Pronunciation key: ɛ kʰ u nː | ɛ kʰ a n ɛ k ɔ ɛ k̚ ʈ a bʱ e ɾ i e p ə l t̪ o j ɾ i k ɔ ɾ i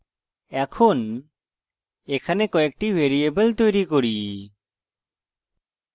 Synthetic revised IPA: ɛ kʰ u n | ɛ kʰ a n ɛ k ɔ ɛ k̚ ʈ i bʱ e ɾ i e b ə l t̪ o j ɾ i k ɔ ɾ i